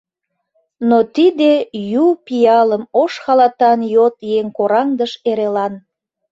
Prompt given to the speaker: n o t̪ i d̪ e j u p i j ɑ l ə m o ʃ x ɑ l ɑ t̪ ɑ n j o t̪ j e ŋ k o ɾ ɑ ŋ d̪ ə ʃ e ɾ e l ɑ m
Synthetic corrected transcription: n o t̪ i d̪ e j u p i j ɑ l ə m o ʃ x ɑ l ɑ t̪ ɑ n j o t̪ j e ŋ k o ɾ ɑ ŋ d̪ ə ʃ e ɾ e l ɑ n